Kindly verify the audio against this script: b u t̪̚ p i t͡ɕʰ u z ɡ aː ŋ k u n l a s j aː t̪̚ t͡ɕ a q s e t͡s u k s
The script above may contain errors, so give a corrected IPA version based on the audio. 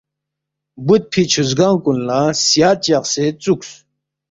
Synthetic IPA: b u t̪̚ pʰ i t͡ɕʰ u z ɡ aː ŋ k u n l a s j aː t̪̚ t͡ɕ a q s e t͡s u k s

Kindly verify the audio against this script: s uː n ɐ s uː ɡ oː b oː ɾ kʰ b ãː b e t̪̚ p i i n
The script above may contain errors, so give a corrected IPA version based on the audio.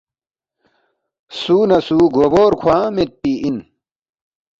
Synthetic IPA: s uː n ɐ s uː ɡ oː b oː ɾ kʰ w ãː m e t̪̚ p i i n

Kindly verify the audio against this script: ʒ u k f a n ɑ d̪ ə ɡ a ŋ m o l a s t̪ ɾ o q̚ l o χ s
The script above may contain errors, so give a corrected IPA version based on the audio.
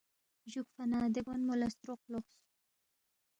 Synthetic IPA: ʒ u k f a n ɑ d̪ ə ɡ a n m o l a s t̪ ɾ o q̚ l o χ s

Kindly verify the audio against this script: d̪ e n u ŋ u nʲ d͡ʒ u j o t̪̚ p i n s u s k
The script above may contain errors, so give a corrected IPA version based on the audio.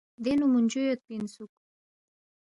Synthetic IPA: d̪ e n u m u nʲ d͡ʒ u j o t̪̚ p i n s u k

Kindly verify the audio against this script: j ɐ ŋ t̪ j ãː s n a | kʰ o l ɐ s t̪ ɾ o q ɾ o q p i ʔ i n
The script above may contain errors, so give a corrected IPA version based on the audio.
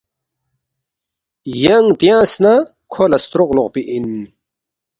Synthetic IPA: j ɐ ŋ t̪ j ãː s n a | kʰ o l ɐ s t̪ ɾ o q l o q p i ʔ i n

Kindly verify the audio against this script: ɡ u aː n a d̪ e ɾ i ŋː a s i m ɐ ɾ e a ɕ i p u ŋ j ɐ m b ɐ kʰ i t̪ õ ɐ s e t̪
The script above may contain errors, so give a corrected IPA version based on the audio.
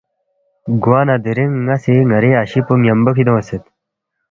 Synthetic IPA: ɡ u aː n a d̪ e ɾ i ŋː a s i ŋ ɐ ɾ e a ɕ i p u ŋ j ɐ m b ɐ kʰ i d̪ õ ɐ s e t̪

